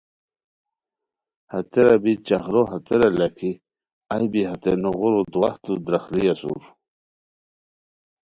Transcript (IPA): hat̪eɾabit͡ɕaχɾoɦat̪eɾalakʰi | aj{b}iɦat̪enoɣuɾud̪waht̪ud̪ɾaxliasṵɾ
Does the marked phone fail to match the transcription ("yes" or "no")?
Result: no